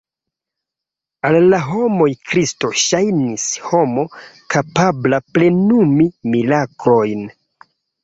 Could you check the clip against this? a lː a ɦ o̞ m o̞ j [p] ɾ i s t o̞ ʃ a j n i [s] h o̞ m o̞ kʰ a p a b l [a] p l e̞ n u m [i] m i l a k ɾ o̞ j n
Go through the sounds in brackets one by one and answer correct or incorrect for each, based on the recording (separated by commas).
incorrect, correct, correct, correct